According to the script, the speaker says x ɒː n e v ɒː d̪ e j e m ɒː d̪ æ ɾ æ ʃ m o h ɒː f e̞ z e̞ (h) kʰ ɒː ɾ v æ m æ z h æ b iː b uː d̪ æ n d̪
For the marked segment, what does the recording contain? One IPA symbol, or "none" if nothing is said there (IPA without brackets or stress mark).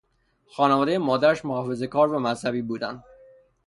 none